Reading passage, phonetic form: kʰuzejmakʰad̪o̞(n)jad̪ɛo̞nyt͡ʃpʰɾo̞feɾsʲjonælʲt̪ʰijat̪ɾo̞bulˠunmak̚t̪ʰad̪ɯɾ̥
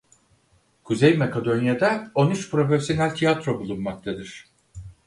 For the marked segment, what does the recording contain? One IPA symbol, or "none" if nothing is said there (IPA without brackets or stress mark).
n